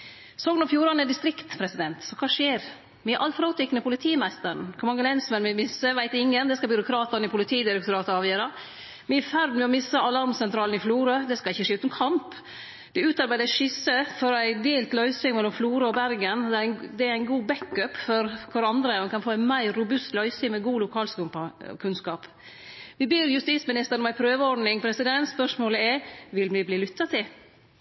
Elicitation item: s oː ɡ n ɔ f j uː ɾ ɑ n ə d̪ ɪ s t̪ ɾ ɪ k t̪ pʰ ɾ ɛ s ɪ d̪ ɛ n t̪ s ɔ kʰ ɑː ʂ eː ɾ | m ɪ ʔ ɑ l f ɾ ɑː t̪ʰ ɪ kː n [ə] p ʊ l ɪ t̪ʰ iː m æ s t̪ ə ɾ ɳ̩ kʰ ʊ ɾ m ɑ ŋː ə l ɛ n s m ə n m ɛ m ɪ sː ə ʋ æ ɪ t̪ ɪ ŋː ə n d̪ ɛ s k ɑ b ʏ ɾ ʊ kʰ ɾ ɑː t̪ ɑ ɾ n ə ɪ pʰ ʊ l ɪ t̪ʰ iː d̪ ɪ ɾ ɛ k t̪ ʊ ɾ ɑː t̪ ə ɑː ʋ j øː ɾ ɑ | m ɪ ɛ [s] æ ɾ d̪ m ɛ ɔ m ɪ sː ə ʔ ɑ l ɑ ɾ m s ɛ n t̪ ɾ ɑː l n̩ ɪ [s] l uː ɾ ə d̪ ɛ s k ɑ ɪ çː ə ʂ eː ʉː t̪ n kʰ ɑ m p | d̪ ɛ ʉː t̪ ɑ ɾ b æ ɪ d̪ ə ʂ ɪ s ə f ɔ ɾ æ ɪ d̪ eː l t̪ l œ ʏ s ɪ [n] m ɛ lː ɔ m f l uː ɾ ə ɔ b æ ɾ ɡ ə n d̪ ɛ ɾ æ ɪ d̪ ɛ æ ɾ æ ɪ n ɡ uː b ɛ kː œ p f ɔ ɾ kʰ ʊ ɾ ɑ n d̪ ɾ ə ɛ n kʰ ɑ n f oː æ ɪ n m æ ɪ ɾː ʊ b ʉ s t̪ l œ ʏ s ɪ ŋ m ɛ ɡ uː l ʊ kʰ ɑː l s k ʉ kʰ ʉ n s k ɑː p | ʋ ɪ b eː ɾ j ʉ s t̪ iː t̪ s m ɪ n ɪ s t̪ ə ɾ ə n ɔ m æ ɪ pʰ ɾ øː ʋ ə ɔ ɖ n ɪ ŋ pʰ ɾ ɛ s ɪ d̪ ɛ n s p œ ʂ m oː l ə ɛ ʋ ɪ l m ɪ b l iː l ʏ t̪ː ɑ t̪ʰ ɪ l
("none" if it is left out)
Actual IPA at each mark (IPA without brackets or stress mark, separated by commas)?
ə, f, f, ŋ